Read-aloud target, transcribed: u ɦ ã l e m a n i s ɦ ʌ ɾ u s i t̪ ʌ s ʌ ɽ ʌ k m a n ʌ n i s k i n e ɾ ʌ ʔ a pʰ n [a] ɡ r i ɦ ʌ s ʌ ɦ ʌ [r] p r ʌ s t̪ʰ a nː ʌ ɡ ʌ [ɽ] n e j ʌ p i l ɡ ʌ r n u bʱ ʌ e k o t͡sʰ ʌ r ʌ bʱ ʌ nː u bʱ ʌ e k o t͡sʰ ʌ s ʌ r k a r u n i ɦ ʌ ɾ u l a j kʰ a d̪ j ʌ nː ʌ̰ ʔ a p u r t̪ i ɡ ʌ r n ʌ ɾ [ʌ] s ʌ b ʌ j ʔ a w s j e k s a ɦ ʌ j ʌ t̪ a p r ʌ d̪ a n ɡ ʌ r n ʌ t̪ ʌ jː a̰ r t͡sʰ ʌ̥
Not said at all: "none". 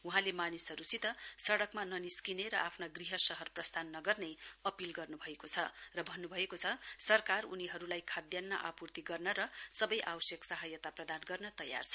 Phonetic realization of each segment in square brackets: a, r, r, ʌ

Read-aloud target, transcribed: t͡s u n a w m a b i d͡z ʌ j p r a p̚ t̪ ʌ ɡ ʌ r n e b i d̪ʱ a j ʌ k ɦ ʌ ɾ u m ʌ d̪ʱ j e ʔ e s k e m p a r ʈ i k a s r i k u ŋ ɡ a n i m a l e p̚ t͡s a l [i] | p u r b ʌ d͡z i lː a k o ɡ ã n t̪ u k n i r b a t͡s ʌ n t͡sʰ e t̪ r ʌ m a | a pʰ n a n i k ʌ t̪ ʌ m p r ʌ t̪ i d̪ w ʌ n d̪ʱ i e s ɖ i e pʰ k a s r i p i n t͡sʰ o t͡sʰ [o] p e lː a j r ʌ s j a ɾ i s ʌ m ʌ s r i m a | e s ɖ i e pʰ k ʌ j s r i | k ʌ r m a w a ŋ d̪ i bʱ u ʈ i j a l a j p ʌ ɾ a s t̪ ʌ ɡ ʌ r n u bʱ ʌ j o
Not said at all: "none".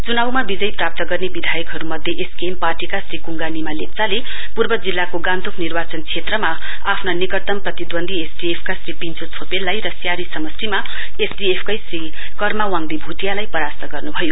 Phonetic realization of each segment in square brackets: e, o

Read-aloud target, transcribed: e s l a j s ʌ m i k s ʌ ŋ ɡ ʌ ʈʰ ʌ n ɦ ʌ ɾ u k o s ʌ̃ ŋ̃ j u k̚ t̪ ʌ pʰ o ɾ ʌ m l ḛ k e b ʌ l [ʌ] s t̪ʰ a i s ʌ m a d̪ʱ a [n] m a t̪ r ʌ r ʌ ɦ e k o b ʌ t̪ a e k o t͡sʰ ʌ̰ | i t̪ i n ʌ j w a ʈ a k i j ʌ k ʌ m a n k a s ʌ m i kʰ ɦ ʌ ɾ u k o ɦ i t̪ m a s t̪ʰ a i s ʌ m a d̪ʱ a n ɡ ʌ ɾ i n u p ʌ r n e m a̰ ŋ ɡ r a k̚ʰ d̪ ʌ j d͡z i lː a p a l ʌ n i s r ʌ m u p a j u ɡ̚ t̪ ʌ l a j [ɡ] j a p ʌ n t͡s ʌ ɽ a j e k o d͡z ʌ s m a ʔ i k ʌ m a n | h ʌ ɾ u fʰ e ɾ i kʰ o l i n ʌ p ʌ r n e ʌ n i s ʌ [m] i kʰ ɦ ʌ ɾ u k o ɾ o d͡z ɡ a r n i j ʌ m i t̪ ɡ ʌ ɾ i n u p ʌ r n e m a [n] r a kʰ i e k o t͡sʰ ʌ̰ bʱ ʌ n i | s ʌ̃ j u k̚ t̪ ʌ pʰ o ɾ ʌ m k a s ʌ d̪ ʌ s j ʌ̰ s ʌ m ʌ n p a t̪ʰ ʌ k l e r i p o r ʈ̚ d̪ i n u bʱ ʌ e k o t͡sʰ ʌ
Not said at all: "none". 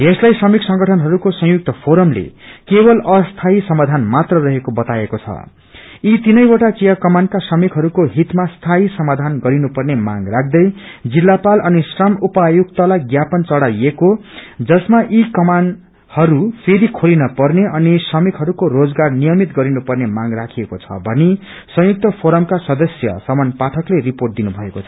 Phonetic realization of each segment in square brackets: ʌ, n, ɡ, m, ŋ

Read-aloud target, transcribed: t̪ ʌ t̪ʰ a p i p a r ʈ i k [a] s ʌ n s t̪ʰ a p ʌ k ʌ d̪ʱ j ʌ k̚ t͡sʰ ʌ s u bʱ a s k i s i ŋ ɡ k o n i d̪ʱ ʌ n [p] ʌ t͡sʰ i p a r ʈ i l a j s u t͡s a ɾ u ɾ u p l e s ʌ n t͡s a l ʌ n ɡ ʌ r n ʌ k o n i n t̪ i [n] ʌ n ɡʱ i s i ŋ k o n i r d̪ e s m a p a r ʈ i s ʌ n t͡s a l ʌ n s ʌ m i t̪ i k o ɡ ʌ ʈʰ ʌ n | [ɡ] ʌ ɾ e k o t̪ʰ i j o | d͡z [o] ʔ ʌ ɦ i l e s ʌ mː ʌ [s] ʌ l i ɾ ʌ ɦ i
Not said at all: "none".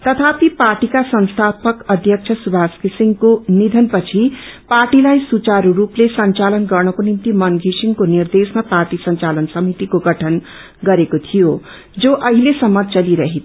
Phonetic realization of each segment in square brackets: a, p, m, ɡ, o, t͡s

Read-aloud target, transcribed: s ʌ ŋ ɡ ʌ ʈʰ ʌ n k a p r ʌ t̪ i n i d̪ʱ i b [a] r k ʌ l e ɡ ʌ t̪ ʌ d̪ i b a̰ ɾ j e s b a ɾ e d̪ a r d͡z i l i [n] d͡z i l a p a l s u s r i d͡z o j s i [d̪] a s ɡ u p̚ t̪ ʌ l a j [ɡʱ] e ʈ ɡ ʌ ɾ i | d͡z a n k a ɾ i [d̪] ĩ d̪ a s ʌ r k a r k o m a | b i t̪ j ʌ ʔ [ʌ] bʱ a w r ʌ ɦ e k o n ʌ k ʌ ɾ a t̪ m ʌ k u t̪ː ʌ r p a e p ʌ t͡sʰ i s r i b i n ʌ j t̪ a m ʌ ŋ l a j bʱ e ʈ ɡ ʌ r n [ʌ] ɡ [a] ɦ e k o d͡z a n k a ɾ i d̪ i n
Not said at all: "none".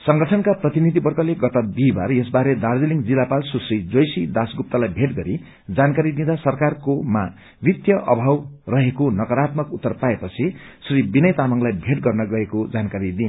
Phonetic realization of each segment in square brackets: ʌ, ŋ, d̪, bʱ, d̪, ʌ, ʌ, ʌ

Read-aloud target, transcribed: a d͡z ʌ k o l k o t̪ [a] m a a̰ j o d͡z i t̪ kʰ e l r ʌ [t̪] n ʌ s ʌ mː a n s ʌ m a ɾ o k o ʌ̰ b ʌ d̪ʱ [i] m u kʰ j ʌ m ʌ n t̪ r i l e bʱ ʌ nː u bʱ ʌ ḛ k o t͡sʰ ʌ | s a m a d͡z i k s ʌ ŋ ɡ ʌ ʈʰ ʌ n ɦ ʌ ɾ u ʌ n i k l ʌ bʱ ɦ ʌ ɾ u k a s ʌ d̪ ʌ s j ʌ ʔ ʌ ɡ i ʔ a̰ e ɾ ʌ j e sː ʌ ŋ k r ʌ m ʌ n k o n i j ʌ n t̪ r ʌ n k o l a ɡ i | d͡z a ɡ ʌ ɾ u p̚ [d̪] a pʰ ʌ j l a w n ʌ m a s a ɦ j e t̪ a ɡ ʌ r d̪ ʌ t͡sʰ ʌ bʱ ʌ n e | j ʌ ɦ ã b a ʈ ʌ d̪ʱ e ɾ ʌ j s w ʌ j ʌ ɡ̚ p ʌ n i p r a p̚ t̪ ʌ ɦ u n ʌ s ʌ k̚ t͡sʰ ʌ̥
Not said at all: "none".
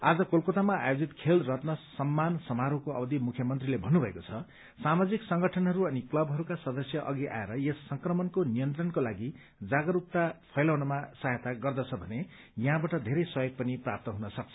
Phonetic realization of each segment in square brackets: a, t̪, i, t̪

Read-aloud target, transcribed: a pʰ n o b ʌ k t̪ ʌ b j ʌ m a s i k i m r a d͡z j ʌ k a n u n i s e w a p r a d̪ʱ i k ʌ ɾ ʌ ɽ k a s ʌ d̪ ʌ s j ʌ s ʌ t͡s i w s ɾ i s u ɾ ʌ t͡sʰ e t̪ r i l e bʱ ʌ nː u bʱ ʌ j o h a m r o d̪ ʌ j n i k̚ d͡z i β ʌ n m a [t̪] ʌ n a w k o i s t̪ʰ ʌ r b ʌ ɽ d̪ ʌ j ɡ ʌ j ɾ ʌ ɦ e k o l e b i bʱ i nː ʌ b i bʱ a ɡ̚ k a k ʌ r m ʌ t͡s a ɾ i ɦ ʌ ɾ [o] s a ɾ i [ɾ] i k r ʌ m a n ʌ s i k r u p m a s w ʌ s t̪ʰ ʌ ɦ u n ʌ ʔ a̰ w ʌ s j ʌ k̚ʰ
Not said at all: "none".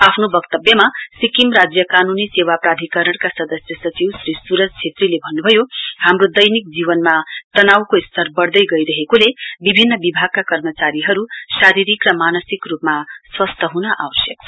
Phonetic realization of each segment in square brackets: t̪, u, ɾ

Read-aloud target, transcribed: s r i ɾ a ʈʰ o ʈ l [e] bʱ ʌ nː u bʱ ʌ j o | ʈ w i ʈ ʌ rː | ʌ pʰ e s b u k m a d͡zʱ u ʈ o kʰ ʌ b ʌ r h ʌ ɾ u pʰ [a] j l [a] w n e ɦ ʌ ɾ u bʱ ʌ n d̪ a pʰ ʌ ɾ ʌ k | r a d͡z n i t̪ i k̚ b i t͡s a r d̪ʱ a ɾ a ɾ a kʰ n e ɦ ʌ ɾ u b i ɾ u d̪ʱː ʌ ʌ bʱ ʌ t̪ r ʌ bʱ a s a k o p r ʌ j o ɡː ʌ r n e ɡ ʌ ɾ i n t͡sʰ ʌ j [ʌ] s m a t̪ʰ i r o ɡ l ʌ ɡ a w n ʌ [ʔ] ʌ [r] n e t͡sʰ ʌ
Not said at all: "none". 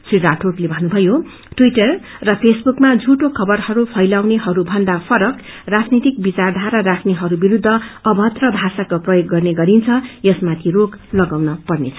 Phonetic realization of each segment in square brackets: e, ʌ, a, ʌ, p, r

